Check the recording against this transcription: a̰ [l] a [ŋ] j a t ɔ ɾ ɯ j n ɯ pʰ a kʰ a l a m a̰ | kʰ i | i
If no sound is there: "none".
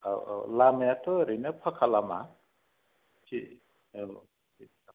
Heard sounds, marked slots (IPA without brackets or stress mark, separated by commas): l, m